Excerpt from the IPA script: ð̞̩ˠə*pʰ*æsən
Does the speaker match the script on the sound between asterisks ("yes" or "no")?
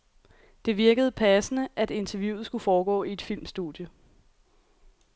yes